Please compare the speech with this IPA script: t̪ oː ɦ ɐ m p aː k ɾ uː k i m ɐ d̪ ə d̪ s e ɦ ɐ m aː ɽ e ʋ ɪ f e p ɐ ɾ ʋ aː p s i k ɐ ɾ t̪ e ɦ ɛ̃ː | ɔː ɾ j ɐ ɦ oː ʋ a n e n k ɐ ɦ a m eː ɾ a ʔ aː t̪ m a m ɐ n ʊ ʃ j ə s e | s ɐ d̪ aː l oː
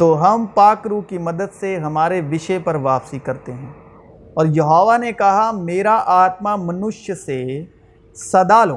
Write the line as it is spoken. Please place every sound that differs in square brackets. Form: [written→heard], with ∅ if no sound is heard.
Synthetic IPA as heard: t̪ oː ɦ ɐ m p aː k ɾ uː k i m ɐ d̪ ə d̪ s e ɦ ɐ m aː [ɽ→ɾ] e ʋ ɪ [f→ʃ] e p ɐ ɾ ʋ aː p s i k ɐ ɾ t̪ e ɦ ɛ̃ː | ɔː ɾ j ɐ ɦ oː ʋ a n e [n→∅] k ɐ ɦ a m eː ɾ a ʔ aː t̪ m a m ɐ n ʊ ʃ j ə s e | s ɐ d̪ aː l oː